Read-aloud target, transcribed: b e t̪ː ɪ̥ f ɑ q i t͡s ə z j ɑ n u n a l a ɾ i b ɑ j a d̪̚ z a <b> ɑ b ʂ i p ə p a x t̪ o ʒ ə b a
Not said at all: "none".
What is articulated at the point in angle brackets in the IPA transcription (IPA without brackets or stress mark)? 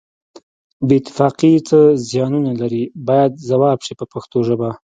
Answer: w